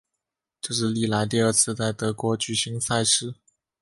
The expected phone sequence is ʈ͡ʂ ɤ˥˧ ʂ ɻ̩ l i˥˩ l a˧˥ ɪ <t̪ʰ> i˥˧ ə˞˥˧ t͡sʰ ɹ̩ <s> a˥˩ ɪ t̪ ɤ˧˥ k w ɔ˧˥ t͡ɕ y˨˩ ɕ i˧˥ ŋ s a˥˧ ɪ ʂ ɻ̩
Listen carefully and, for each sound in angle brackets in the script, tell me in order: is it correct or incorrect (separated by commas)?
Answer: incorrect, incorrect